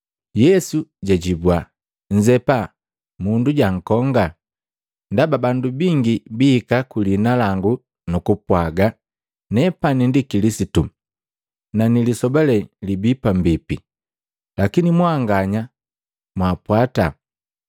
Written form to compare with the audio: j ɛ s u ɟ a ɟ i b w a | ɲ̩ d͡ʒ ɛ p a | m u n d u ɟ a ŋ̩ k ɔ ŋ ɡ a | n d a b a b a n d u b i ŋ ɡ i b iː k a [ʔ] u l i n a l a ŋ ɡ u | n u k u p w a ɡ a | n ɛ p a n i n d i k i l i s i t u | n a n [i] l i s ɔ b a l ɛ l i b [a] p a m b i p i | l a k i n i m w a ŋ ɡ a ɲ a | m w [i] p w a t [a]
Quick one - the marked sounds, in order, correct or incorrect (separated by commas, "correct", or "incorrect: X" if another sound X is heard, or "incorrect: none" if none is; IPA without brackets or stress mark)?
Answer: incorrect: k, correct, incorrect: i, incorrect: a, correct